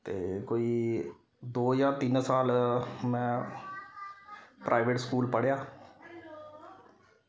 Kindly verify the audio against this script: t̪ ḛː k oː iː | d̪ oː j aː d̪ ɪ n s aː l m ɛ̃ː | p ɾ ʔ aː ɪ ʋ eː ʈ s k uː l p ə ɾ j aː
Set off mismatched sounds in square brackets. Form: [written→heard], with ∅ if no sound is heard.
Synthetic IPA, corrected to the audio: t̪ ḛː k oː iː | d̪ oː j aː [d̪→t̪] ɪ n s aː l m ɛ̃ː | p ɾ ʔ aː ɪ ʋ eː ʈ s k uː l p ə [ɾ→ɽ] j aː